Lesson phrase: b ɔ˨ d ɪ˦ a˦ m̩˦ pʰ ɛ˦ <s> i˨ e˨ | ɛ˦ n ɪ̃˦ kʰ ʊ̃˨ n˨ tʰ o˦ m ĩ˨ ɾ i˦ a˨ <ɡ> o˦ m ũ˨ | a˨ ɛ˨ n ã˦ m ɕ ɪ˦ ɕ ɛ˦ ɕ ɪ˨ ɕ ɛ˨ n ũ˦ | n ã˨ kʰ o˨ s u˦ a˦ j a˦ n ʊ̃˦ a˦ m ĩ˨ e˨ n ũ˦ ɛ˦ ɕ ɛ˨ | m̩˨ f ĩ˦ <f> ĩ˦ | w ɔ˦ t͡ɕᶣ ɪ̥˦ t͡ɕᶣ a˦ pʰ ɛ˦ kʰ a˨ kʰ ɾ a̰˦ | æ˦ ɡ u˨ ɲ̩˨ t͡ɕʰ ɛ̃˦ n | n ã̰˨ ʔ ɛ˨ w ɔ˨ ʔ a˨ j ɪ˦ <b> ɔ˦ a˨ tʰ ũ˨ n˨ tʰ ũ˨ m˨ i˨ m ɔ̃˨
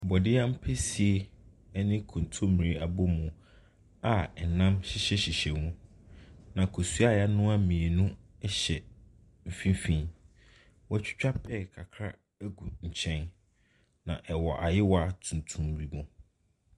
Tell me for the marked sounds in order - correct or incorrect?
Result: correct, incorrect: b, correct, incorrect: w

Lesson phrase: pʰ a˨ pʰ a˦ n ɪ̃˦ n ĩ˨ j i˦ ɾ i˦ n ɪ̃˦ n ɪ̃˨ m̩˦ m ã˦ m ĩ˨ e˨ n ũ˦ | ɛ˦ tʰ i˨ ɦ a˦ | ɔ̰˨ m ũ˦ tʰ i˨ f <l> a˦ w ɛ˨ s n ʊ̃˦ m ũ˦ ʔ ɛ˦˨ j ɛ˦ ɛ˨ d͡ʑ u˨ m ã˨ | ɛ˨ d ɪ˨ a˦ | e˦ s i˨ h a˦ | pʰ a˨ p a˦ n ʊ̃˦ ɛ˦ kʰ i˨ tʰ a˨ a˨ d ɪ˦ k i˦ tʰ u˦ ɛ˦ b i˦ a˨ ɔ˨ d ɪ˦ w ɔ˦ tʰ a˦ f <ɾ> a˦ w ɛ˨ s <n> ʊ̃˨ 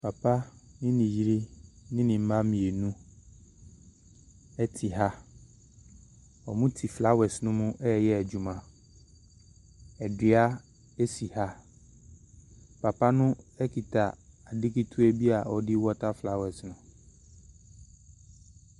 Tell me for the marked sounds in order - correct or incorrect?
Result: correct, incorrect: l, correct

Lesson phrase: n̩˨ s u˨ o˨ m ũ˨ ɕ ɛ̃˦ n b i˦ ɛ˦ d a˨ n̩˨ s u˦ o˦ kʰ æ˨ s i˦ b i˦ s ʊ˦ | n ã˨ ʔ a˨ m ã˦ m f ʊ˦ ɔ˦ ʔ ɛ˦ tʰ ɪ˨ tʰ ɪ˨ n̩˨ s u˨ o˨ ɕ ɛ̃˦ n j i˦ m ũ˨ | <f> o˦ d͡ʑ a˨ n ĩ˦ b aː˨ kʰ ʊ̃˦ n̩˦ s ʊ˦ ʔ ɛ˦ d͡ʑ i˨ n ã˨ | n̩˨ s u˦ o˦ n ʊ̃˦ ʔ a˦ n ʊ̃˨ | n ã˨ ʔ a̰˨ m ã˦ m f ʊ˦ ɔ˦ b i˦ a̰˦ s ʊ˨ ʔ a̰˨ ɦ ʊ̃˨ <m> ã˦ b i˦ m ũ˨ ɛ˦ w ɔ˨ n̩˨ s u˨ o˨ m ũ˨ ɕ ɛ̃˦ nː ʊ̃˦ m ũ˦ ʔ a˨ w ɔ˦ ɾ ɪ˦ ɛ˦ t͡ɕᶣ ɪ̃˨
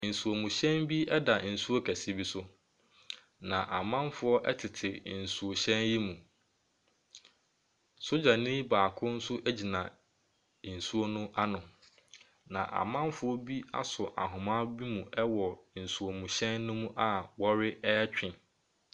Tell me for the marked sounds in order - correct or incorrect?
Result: incorrect: s, correct

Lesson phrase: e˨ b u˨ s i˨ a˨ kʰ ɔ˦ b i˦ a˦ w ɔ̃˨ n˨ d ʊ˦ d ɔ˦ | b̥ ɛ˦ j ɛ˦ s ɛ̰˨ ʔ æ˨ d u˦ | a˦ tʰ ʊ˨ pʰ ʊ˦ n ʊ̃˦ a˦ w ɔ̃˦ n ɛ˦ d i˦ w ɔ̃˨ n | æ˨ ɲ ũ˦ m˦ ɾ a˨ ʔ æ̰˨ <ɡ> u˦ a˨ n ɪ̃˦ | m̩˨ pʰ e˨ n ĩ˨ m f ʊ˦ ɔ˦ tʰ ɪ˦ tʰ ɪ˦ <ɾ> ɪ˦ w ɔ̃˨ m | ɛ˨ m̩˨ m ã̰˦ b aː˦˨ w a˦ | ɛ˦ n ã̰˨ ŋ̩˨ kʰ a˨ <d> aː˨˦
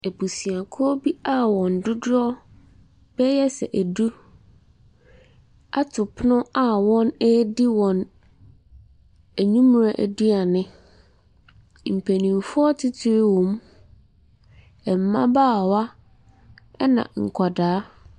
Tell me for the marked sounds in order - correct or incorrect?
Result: incorrect: d, correct, correct

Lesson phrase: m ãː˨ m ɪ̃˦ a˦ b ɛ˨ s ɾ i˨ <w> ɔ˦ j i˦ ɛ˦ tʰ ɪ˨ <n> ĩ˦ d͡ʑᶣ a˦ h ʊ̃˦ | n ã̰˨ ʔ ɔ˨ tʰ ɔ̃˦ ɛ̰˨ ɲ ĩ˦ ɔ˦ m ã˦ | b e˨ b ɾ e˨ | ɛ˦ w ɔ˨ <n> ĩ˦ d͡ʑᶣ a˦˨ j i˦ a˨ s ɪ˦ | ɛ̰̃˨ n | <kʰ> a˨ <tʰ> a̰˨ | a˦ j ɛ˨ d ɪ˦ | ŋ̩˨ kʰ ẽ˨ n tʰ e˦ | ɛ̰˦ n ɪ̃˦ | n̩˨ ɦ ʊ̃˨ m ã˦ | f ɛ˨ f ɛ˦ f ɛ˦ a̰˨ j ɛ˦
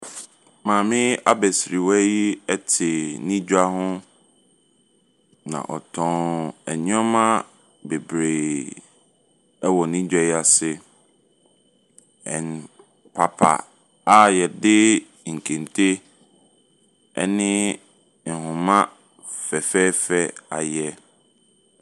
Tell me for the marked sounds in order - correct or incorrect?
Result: correct, correct, correct, incorrect: pʰ, incorrect: pʰ

